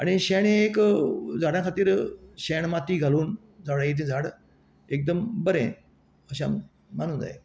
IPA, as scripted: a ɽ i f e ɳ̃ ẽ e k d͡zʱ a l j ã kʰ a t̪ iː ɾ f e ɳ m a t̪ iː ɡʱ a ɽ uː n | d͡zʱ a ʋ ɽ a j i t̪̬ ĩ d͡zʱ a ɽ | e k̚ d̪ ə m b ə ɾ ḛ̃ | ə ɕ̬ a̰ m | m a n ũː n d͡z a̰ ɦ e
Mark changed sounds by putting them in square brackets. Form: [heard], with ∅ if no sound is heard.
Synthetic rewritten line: a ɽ i [ɕ] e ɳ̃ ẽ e k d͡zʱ a [ɽ] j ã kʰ a t̪ iː ɾ [ɕ] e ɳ m a t̪ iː ɡʱ a [l] uː n | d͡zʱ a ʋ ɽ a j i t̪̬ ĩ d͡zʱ a ɽ | e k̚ d̪ ə m b ə ɾ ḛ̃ | ə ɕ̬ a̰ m | m a n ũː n d͡z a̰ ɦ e